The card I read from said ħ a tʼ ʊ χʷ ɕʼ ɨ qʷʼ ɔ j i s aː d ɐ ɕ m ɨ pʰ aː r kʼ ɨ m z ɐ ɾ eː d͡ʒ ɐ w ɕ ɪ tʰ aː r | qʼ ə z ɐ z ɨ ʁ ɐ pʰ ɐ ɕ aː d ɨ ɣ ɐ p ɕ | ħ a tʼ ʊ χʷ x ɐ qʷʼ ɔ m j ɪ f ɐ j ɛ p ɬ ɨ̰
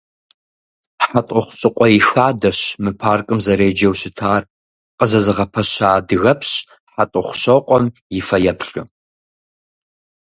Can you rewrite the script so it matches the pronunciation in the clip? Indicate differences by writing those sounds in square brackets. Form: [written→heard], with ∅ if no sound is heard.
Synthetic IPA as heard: ħ a tʼ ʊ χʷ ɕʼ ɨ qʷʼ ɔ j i [s→x] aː d ɐ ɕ m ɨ pʰ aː r kʼ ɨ m z ɐ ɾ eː d͡ʒ ɐ w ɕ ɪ tʰ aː r | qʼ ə z ɐ z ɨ ʁ ɐ pʰ ɐ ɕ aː d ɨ ɣ ɐ p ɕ | ħ a tʼ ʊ χʷ [x→ɕ] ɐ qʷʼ ɔ m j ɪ f ɐ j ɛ p ɬ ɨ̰